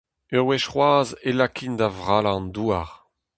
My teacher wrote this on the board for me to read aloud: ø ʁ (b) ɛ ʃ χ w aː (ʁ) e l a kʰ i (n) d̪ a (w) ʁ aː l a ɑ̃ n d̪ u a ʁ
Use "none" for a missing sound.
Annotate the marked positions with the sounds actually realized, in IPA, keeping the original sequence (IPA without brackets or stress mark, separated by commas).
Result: w, z, n, v